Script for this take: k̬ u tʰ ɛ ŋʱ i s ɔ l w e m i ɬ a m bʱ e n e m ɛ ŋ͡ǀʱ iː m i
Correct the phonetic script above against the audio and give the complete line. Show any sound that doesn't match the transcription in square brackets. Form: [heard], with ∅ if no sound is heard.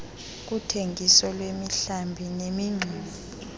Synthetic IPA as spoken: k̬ u tʰ [e] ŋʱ i s ɔ l w e m i ɬ a m bʱ [i] n e m [i] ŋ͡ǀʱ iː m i

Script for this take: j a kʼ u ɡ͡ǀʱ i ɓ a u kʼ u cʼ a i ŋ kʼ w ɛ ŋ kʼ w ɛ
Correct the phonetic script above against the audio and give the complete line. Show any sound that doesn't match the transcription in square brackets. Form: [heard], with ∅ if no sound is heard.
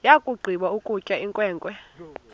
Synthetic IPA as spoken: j a kʼ u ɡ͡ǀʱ i ɓ a u kʼ u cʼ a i ŋ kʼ w [ɛː] ŋ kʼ w ɛ

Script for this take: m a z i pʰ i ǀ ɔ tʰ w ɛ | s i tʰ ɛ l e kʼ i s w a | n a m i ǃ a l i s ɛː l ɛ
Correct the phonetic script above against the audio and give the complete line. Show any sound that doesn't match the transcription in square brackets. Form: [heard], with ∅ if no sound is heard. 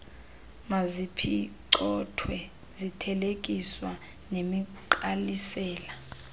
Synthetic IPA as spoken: m a z i pʰ i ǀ ɔ tʰ w ɛ | [z] i tʰ ɛ l e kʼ i s w a | n [e] m i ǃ a l i s ɛː l [a]

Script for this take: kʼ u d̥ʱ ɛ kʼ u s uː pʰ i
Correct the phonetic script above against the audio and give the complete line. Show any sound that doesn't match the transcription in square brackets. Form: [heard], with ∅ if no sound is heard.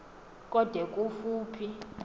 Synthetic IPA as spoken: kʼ [ɔ] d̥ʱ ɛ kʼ u [f] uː pʰ i

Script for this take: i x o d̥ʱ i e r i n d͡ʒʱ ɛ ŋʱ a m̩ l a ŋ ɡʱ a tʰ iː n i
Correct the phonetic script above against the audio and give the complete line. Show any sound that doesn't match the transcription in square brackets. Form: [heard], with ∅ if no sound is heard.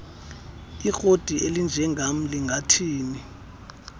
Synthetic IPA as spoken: i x o d̥ʱ i e [l] i n d͡ʒʱ ɛ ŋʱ a m̩ l [i] ŋ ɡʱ a tʰ iː n i

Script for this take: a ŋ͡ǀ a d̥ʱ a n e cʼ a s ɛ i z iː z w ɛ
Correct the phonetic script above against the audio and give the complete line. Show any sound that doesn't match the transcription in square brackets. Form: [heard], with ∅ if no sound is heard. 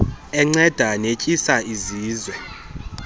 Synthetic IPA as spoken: [ɛ] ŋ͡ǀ [ɛ] d̥ʱ a n e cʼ [i] s [a] i z iː z w ɛ

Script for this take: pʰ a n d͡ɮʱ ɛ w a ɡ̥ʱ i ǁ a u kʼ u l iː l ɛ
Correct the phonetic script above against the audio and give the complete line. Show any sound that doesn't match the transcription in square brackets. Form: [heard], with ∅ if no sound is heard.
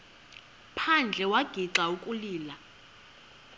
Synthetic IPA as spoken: pʰ a n d͡ɮʱ ɛ w a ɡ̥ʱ i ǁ a u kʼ u l iː l [a]

